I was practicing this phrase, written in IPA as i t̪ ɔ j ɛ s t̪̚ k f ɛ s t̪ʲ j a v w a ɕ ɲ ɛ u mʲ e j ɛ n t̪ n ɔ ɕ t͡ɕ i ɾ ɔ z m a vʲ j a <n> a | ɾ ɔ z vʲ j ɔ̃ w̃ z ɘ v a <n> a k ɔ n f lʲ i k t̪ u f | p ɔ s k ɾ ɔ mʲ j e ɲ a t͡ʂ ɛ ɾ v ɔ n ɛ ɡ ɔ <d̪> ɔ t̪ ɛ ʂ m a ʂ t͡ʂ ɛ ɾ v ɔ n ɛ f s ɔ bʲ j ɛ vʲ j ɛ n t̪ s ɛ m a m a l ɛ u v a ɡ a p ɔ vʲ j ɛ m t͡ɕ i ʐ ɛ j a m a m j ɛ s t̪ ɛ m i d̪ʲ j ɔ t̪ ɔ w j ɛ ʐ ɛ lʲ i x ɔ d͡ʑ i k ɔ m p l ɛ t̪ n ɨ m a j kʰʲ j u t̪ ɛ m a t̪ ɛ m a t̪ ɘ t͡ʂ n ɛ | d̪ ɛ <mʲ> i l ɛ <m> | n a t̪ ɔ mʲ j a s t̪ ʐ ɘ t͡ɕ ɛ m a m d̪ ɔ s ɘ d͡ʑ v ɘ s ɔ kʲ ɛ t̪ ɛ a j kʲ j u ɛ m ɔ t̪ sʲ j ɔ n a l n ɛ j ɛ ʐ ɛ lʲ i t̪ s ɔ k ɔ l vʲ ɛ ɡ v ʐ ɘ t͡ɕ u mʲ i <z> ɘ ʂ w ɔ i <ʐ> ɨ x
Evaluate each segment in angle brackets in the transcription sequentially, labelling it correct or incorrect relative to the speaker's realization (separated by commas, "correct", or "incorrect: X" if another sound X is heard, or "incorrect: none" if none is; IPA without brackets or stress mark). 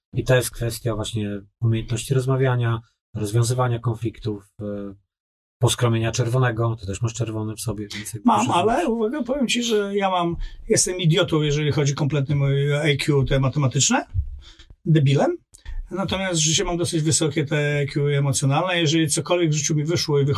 incorrect: ɲ, incorrect: ɲ, incorrect: t̪, incorrect: bʲ, correct, incorrect: v, incorrect: v